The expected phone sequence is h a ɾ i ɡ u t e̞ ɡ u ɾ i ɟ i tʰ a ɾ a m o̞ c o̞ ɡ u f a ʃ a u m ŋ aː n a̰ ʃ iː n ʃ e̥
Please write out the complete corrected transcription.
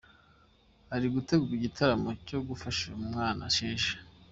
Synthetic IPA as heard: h a ɾ i ɡ u t e̞ ɡ u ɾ i ɟ i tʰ a ɾ a m o̞ c o̞ ɡ u f a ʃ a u m ŋ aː n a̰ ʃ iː n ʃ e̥